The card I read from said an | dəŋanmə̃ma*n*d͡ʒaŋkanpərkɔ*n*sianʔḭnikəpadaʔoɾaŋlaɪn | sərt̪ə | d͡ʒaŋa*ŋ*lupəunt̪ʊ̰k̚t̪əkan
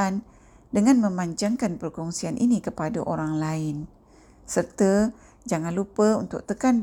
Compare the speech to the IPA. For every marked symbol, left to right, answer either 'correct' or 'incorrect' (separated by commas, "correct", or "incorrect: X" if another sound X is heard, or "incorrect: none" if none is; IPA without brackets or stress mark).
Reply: incorrect: ɲ, incorrect: ŋ, incorrect: n